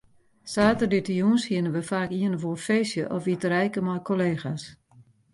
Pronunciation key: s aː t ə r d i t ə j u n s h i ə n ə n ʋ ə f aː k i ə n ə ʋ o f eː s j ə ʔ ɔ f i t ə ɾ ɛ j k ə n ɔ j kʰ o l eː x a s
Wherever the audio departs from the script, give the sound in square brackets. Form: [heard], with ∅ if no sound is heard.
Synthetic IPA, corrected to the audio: s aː t ə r d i t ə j u n s h i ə n ə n ʋ ə f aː k i ə n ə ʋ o f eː s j ə ʔ ɔ f i t ə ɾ ɛ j k ə [m] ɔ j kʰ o l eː x a s